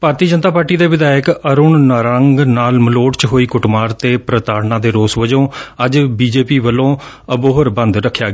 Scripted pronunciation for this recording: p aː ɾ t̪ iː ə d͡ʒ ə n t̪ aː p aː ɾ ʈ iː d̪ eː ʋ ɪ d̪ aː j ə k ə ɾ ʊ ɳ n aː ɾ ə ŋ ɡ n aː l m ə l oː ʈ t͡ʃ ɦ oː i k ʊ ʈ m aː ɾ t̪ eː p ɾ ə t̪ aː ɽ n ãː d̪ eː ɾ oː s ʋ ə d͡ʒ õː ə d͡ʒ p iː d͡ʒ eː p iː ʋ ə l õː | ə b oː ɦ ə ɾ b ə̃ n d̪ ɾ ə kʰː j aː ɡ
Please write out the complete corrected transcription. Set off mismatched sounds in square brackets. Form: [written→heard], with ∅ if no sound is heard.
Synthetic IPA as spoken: p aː ɾ t̪ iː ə d͡ʒ ə n t̪ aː p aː ɾ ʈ iː d̪ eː ʋ ɪ d̪ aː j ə k ə ɾ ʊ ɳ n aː ɾ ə ŋ ɡ n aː l m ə l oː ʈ t͡ʃ ɦ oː [i→iː] k ʊ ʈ m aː ɾ t̪ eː p ɾ ə t̪ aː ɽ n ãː d̪ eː ɾ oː s ʋ ə d͡ʒ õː ə d͡ʒ [p→b] iː d͡ʒ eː p iː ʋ ə l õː | ə b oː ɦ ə ɾ b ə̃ n d̪ ɾ ə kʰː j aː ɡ